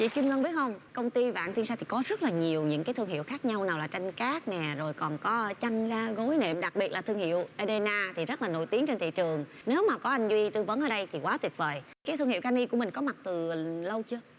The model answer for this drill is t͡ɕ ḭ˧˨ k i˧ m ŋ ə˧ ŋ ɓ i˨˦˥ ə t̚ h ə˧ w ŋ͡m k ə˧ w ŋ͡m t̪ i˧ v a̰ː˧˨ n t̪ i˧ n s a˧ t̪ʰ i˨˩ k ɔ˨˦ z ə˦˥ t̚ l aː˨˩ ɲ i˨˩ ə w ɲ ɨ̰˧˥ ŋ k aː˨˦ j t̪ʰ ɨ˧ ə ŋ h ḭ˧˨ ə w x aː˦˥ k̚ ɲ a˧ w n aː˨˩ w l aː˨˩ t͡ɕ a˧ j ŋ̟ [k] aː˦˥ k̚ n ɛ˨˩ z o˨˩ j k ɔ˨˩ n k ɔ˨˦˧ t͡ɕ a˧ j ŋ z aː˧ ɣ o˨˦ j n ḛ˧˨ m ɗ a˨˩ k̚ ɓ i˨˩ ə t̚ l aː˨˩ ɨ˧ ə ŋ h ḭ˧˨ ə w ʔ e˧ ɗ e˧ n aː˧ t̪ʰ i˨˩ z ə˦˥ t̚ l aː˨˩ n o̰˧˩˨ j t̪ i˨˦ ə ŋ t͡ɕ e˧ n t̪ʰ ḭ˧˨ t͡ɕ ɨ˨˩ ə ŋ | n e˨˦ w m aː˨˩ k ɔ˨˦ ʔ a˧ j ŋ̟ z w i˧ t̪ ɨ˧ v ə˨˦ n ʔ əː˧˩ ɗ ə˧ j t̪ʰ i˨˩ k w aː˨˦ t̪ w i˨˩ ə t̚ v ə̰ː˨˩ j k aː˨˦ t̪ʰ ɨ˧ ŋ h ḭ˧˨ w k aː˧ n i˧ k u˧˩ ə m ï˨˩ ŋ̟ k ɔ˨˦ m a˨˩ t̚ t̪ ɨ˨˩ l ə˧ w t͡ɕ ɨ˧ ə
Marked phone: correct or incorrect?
correct